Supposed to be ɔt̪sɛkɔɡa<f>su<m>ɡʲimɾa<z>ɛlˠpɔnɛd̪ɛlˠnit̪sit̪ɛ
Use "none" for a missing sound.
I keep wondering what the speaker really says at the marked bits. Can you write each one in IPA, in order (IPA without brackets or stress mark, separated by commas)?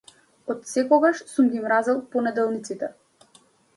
ʃ, m, z